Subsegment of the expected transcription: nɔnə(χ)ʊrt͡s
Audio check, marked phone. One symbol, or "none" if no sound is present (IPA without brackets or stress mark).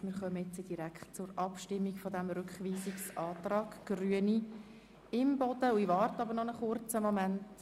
χ